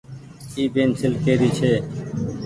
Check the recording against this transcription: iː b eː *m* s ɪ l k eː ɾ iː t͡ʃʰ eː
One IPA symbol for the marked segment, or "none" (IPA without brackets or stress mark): n